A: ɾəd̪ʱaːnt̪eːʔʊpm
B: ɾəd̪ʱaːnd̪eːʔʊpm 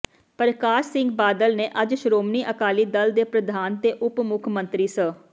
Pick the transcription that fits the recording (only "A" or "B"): A